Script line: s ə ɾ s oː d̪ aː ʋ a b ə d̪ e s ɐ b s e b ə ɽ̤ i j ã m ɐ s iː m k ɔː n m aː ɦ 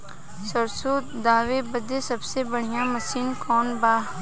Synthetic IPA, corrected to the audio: s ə ɾ s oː d̪ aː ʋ e b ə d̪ e s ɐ b s e b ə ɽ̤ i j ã m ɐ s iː n k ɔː n b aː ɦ